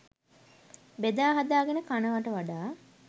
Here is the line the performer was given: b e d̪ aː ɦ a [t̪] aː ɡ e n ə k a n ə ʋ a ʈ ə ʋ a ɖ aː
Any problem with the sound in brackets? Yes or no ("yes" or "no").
yes